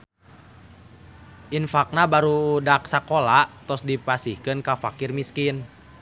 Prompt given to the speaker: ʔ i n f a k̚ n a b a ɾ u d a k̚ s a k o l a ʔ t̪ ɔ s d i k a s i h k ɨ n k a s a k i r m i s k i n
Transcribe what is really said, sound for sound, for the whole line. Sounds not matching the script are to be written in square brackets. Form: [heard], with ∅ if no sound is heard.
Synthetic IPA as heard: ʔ i n f a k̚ n a b a ɾ u d a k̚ s a k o l a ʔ t̪ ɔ s d i [p] a s i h k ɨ n k a [f] a k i r m i s k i n